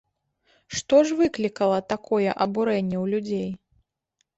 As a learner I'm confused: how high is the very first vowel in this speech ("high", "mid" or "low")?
mid